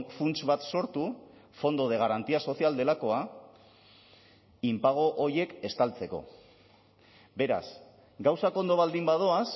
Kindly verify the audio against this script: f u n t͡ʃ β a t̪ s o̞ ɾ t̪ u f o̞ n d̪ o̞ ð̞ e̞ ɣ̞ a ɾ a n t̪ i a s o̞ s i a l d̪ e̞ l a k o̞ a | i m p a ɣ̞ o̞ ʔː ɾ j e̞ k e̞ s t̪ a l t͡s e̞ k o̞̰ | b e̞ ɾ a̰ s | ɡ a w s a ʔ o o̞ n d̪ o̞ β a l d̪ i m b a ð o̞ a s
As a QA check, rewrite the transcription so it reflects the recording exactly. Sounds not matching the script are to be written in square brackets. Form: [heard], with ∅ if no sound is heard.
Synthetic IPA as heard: f u n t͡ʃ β a t̪ s o̞ ɾ t̪ u f o̞ n d̪ o̞ ð̞ e̞ ɣ̞ a ɾ a n t̪ i a s o̞ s i a l d̪ e̞ l a k o̞ a | i m p a ɣ̞ o̞ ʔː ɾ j e̞ k e̞ s t̪ a l t͡s e̞ k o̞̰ | b e̞ ɾ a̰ s | ɡ a w s a [k] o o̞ n d̪ o̞ β a l d̪ i m b a ð o̞ a s